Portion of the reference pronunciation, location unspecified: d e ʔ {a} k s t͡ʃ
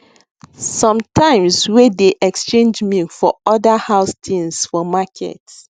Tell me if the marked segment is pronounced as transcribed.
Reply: no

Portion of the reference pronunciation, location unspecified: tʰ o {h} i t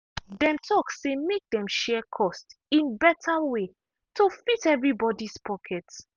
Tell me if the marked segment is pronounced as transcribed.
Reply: no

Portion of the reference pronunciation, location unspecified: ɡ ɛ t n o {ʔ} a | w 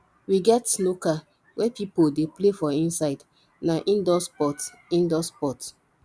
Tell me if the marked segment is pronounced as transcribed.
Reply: no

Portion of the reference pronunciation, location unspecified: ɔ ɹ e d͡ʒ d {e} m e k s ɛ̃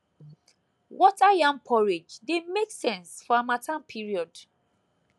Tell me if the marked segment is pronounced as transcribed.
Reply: yes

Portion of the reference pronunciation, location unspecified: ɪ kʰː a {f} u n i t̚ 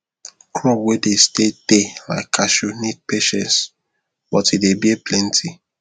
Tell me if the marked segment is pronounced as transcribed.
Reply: no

